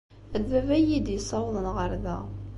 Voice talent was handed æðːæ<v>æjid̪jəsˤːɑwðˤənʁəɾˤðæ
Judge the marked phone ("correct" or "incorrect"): correct